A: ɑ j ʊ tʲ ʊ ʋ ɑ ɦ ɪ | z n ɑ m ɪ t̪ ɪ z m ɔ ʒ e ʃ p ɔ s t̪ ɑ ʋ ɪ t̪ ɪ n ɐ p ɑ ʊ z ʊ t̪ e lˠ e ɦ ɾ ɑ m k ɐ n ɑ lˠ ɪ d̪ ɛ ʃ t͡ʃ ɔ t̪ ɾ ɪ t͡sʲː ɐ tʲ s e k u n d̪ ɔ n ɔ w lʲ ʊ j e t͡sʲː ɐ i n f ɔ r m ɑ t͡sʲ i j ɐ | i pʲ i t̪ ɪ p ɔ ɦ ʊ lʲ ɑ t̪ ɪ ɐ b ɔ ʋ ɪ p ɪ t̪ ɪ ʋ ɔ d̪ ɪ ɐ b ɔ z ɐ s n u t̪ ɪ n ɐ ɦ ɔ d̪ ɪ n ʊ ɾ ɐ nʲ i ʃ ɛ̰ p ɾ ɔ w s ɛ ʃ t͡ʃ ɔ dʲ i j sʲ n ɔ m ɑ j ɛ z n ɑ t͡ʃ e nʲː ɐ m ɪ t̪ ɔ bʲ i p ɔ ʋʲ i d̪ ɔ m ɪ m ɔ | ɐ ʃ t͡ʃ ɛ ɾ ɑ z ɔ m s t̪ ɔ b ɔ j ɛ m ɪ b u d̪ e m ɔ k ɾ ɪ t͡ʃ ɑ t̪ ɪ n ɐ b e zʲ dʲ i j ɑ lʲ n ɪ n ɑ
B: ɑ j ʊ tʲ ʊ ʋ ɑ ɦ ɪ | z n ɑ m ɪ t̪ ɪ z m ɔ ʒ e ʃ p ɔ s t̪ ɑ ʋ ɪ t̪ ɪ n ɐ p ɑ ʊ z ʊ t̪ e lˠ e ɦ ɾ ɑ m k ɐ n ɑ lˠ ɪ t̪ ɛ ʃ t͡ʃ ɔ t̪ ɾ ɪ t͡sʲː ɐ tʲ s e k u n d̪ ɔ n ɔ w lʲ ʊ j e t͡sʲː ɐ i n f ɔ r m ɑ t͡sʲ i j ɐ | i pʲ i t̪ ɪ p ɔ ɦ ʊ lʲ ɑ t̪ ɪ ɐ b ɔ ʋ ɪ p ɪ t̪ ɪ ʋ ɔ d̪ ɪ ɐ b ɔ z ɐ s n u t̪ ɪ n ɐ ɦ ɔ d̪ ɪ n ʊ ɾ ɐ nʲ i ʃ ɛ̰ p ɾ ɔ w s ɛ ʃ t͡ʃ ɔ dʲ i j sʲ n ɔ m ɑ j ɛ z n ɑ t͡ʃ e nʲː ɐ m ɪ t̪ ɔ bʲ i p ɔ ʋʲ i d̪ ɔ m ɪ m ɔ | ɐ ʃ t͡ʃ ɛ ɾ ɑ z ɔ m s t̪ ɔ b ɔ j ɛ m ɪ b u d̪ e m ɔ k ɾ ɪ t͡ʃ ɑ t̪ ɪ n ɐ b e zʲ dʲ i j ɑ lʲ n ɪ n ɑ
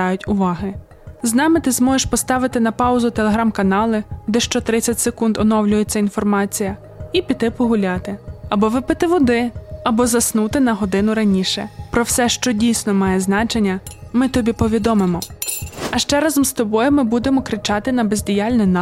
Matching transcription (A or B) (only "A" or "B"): A